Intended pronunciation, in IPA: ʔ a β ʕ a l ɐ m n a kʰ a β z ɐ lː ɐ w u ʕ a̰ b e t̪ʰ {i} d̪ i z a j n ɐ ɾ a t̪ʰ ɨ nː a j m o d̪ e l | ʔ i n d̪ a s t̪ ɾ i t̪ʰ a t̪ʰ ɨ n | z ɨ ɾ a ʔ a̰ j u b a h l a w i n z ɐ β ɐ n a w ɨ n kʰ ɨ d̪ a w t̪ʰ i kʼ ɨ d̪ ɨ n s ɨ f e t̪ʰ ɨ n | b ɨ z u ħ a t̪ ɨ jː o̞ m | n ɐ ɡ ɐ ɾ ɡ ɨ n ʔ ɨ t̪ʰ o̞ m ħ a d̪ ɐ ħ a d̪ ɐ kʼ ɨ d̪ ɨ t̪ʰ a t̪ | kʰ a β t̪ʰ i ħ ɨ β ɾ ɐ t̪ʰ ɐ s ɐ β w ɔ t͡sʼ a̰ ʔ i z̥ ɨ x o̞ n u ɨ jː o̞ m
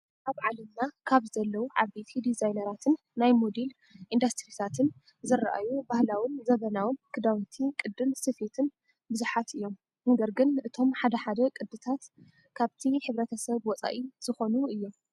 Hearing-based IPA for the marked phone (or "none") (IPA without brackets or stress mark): i